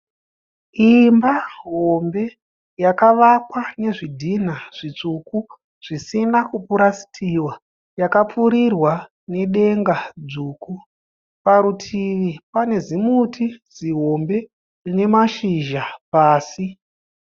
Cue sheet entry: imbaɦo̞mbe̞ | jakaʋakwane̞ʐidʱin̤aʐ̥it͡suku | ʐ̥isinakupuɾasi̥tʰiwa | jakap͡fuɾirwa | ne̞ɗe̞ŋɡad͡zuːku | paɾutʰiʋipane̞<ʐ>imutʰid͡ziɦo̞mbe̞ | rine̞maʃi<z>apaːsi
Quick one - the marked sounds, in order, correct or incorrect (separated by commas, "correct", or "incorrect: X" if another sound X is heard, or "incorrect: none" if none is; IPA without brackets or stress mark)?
incorrect: z, incorrect: ʒ